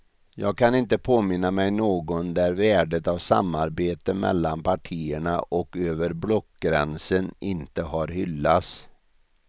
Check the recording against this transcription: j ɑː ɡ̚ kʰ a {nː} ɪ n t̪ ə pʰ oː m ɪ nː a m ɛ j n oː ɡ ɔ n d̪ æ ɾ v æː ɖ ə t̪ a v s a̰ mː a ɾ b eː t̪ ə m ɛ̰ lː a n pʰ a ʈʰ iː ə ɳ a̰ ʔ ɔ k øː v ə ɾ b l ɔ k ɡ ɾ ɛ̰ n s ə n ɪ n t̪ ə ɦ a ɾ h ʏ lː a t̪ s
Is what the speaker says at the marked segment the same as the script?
no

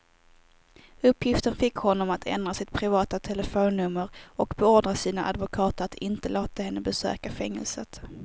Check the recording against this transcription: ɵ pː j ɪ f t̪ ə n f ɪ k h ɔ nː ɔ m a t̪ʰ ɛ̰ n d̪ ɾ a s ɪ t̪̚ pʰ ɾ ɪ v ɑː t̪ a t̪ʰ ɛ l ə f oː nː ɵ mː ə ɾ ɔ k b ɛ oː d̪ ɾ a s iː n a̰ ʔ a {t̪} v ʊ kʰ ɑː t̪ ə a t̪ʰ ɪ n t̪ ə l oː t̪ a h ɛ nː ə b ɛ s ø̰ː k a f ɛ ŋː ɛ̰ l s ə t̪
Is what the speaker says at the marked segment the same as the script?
no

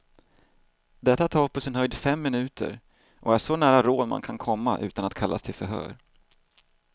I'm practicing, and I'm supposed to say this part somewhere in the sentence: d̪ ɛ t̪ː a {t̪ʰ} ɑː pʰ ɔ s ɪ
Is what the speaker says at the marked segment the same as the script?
yes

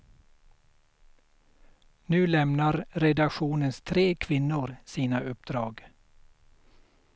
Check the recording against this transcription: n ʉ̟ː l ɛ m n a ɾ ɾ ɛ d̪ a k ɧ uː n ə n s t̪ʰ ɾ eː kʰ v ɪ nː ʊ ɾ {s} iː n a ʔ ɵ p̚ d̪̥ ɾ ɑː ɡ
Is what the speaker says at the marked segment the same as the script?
yes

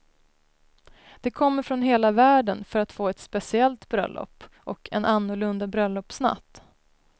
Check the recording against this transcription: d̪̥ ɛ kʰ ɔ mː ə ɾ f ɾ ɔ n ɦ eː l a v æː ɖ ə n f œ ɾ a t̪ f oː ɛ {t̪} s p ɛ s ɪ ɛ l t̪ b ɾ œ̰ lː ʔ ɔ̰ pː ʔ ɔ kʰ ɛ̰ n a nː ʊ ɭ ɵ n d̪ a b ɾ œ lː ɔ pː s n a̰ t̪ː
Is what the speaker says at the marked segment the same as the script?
yes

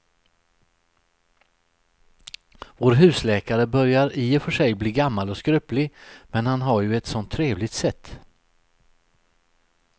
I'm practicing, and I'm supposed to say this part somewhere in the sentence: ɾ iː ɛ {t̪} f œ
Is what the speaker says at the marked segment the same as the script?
no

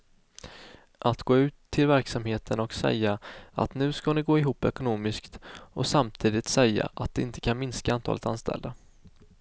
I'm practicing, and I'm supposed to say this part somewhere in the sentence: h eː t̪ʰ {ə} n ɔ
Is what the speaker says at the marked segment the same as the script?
yes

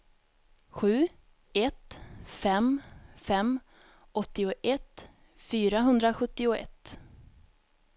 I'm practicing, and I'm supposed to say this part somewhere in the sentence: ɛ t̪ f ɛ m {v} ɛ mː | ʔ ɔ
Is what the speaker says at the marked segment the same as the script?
no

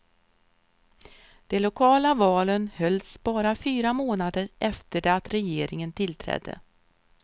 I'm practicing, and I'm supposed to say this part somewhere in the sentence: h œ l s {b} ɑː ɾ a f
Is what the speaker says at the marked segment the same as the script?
yes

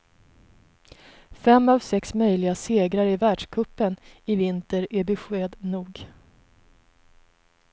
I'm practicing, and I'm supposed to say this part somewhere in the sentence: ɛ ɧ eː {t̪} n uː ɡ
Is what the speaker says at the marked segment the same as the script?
no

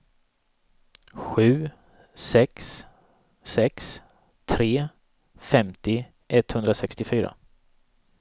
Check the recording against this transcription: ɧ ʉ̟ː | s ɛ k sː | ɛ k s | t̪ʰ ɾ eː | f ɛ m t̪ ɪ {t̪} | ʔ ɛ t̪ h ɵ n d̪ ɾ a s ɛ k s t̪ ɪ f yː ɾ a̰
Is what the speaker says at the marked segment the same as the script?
no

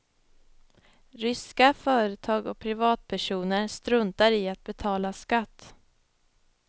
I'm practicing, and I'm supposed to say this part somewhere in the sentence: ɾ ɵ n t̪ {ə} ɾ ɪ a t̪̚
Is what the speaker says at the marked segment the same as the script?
no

